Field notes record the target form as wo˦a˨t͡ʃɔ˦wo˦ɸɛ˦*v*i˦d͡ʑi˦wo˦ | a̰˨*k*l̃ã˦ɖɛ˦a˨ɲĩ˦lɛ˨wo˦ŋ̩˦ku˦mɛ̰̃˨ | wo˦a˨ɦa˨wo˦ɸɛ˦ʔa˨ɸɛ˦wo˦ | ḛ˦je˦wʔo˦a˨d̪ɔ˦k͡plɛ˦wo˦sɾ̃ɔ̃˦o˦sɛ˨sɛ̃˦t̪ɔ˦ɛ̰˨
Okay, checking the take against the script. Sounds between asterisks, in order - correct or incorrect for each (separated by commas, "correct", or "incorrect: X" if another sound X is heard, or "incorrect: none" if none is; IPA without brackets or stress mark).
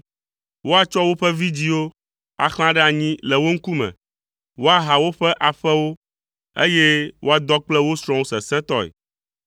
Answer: correct, incorrect: x